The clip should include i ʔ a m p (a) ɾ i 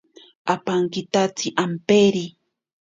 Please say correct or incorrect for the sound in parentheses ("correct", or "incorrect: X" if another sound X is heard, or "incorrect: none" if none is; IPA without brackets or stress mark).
incorrect: e